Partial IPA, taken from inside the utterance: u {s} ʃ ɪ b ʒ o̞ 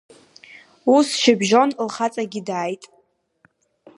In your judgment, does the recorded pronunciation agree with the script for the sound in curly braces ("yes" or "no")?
yes